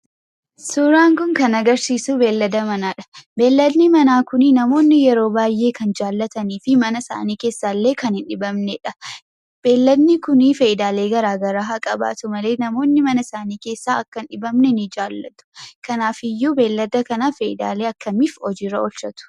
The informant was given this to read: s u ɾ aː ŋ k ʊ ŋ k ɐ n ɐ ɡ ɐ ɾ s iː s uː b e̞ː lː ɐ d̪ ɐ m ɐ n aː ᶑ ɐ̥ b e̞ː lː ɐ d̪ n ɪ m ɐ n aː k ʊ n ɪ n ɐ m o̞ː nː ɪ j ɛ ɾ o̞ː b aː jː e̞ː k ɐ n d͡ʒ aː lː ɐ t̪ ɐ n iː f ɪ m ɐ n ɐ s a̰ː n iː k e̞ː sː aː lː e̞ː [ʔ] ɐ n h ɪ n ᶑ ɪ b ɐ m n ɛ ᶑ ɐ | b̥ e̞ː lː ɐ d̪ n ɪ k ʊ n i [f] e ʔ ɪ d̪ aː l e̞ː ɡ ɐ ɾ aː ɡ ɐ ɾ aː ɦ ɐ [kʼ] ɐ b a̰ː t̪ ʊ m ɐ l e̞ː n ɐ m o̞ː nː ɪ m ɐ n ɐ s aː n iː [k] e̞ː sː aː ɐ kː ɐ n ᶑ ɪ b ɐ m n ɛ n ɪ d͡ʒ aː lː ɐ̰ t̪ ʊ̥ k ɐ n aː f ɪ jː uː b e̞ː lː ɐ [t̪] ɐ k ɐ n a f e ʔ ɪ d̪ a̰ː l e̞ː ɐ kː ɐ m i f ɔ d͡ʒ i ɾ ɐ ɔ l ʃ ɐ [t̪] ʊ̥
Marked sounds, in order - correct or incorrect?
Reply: incorrect: k, correct, correct, correct, incorrect: d̪, correct

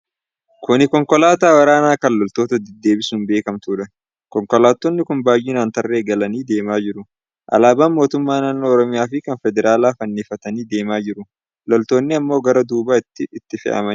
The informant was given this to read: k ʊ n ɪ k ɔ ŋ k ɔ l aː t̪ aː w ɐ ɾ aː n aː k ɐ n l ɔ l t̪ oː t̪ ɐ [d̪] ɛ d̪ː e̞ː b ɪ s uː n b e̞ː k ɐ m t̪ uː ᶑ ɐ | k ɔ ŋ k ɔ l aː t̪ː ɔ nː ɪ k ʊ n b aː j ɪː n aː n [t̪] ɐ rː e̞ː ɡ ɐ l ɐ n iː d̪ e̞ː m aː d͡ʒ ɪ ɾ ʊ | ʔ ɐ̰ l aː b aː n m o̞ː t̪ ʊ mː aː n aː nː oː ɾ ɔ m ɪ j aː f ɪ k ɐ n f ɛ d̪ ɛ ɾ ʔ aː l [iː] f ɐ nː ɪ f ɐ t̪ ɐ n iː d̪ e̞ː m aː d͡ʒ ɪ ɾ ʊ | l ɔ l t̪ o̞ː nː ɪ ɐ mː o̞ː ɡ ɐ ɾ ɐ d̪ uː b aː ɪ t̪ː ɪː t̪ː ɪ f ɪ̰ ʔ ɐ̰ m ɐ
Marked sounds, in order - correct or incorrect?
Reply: correct, correct, incorrect: aː

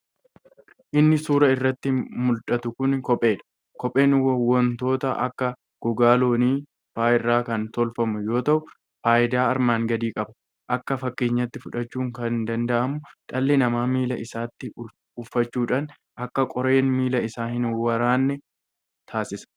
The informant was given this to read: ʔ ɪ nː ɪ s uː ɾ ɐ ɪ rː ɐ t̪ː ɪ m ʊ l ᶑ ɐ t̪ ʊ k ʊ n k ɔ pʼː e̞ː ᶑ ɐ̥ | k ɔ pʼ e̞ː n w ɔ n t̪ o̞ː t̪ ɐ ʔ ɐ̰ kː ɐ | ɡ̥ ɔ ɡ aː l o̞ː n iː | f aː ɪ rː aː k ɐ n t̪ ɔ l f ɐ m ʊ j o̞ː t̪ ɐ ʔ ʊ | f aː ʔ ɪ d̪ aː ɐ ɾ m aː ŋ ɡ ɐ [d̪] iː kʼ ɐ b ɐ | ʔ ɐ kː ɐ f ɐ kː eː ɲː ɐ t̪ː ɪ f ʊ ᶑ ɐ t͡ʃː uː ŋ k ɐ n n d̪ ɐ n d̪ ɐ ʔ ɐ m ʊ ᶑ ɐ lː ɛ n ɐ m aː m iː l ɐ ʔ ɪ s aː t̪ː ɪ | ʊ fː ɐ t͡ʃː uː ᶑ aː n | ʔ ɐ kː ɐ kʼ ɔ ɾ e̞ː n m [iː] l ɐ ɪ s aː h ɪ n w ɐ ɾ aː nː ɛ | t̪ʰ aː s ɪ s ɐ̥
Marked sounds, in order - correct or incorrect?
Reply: correct, correct

